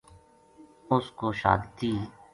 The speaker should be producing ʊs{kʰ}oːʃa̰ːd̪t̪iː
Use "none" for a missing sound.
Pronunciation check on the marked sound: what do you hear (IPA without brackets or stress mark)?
k